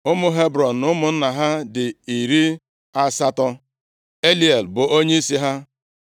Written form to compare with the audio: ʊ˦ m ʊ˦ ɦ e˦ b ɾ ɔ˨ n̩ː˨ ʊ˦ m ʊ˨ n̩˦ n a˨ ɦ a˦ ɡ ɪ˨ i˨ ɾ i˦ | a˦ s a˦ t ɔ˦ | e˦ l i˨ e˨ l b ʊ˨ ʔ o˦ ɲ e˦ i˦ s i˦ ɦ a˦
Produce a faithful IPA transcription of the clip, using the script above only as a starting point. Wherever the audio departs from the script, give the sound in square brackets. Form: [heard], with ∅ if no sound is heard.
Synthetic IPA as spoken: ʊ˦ m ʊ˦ ɦ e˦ b ɾ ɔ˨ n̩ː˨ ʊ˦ m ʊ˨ n̩˦ n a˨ ɦ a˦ [d] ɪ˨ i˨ ɾ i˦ | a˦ s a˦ t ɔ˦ | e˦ l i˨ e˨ l b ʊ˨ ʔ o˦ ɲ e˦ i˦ s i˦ ɦ a˦

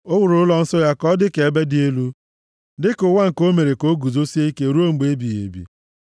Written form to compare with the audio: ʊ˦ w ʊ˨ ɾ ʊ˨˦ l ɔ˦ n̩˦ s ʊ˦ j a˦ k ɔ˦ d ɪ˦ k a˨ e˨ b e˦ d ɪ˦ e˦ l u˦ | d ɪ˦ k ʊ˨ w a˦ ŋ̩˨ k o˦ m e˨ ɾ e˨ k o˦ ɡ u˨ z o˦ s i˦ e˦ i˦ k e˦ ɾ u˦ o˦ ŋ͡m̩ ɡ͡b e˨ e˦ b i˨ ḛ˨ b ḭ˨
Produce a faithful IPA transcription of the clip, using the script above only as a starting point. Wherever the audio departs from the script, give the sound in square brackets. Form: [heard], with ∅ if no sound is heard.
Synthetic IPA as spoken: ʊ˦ w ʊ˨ ɾ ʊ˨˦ l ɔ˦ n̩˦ s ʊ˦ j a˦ k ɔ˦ d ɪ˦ k [e˨] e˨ b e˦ d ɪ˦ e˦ l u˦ | d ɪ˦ k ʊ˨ w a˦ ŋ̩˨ k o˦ m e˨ ɾ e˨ k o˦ ɡ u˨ z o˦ s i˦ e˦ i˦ k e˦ ɾ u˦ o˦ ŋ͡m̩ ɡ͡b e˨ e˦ b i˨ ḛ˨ b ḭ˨

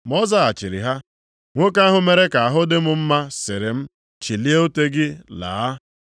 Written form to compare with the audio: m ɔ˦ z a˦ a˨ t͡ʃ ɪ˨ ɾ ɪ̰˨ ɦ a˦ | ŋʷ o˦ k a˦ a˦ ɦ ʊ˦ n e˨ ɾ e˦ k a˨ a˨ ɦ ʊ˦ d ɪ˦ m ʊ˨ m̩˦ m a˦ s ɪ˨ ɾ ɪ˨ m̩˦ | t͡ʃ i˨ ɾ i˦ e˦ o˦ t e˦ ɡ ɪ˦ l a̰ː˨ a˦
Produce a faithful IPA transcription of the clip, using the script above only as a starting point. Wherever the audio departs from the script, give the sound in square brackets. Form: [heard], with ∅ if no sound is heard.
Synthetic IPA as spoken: m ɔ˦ z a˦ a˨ t͡ʃ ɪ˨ ɾ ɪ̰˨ ɦ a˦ | ŋʷ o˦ k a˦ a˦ ɦ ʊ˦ [m] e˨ ɾ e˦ k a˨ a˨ ɦ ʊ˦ d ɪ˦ m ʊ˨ m̩˦ m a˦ s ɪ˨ ɾ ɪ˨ m̩˦ | t͡ʃ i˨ [l] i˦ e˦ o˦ t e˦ ɡ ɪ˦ l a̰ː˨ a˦

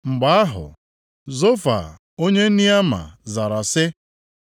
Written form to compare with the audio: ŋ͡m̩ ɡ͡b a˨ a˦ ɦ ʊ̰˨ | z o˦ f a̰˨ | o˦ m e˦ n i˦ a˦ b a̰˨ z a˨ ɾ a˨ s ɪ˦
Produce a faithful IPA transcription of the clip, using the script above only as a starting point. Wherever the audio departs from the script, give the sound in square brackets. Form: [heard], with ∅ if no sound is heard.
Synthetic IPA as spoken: ŋ͡m̩ ɡ͡b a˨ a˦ ɦ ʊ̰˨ | z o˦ f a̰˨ | o˦ [ɲ] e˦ n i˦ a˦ [m] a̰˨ z a˨ ɾ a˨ s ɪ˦

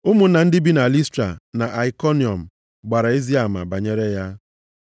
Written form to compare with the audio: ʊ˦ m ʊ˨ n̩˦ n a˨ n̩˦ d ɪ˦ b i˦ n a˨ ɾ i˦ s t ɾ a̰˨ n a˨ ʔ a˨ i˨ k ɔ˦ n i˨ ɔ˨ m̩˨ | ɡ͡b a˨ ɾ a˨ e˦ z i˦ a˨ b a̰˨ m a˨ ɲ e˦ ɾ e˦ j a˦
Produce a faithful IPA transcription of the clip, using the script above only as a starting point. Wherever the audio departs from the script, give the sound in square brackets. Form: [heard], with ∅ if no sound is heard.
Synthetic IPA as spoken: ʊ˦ m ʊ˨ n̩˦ n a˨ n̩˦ d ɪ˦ b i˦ n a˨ [l] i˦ s t ɾ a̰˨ n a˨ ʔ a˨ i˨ k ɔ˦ n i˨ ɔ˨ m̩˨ | ɡ͡b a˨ ɾ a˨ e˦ z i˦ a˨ [m] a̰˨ [b] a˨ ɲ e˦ ɾ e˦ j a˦

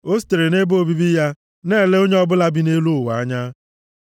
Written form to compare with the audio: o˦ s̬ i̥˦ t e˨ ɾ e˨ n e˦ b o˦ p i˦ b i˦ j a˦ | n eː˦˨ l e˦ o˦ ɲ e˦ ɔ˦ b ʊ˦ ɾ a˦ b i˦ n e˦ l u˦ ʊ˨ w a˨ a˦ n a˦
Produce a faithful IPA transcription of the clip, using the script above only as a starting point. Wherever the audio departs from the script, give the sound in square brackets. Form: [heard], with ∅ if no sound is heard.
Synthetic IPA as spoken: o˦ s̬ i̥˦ t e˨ ɾ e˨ n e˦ b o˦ [b] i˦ b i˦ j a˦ | n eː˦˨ l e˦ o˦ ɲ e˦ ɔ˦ b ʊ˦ [l] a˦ b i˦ n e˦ l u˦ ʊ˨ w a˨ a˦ [ɲ] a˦

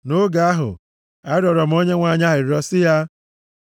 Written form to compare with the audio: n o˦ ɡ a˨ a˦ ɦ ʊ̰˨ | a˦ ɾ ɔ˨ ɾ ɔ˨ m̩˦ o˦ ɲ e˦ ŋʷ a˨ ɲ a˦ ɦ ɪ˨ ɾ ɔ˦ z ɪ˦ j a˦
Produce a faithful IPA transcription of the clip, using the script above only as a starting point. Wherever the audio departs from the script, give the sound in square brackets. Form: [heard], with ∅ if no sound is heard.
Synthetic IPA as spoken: n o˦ ɡ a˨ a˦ ɦ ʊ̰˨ | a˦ ɾ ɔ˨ ɾ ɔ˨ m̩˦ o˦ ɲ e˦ ŋʷ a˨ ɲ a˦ ɦ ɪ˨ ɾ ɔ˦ [s] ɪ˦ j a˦

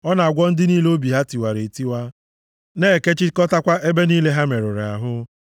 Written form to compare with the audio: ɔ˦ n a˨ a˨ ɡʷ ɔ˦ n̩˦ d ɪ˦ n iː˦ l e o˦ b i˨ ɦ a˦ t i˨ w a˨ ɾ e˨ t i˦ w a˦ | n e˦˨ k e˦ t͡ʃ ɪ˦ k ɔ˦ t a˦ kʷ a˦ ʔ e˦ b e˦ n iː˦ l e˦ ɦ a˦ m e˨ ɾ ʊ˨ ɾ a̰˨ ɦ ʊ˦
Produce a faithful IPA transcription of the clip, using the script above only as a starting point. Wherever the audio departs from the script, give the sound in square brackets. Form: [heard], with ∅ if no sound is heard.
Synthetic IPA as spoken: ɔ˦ n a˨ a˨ ɡʷ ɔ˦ n̩˦ d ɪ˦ n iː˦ l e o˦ b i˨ ɦ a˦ t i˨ w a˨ ɾ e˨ t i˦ w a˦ | n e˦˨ k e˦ t͡ʃ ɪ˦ k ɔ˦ t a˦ kʷ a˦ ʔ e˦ b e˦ n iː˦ l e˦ ɦ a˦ m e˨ ɾ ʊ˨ ɾ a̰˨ ɦ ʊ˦

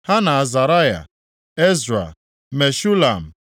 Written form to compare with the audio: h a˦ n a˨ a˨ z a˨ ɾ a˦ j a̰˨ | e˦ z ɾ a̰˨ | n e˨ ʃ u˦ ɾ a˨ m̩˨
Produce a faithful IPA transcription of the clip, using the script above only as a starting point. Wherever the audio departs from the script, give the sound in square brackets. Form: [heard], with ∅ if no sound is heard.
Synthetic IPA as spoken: h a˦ n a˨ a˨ z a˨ ɾ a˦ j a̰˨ | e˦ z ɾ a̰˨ | [m] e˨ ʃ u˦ [l] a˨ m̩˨

